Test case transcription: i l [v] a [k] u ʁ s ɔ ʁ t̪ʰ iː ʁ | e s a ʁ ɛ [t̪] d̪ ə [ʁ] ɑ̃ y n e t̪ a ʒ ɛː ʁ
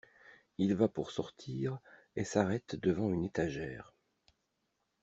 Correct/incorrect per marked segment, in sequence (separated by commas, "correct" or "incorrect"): correct, incorrect, correct, incorrect